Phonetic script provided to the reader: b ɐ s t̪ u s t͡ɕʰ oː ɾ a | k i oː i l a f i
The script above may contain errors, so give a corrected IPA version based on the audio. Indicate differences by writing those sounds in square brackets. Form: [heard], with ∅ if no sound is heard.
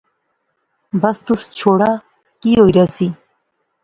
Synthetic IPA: b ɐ s t̪ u s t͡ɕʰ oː [ɽ] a | k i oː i [ɾ] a [s] i